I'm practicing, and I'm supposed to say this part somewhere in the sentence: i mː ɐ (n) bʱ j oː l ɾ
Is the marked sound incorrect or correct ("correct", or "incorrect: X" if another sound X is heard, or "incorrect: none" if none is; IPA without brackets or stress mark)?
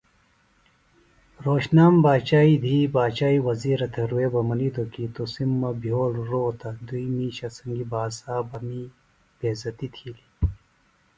incorrect: none